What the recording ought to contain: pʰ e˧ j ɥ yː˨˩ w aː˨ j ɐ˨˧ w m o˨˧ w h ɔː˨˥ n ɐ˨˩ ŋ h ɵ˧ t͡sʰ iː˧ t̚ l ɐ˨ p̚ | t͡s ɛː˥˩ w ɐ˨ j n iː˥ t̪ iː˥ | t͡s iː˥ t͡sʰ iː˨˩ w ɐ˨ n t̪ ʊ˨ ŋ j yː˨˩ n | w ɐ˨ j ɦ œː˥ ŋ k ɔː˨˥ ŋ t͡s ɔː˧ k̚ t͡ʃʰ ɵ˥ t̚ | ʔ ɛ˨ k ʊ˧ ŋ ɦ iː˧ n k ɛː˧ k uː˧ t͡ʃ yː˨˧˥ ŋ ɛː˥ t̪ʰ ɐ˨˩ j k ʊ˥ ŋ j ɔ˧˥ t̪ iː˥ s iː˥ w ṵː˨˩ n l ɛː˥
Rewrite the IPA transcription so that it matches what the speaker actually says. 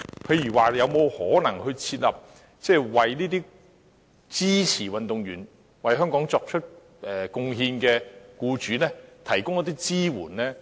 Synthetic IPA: pʰ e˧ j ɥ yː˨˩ w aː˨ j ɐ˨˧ w m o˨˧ w h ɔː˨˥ n ɐ˨˩ ŋ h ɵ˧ t͡sʰ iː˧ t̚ l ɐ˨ p̚ | t͡s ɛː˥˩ w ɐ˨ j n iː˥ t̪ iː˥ | t͡s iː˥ t͡sʰ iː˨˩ w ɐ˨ n t̪ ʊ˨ ŋ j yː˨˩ n | w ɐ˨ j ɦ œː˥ ŋ k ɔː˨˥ ŋ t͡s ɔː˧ k̚ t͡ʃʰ ɵ˥ t̚ | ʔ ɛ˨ k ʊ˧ ŋ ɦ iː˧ n k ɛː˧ k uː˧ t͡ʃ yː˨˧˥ n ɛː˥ t̪ʰ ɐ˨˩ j k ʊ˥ ŋ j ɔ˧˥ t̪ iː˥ t͡s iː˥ w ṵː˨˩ n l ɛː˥